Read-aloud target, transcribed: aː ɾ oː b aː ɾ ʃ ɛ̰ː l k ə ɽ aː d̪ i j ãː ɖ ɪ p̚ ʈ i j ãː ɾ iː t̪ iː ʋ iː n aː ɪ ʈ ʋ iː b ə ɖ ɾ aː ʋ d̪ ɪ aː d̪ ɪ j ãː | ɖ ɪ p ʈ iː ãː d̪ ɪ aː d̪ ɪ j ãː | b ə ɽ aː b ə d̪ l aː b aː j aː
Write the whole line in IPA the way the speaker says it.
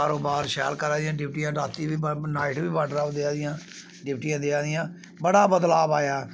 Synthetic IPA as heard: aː ɾ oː b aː ɾ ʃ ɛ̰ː l k ə ɾ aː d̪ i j ãː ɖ ɪ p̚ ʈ i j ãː ɾ aː t̪ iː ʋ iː n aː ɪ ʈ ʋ iː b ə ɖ ɾ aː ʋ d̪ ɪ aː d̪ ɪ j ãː | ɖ ɪ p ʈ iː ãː d̪ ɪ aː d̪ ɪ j ãː | b ə ɽ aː b ə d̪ l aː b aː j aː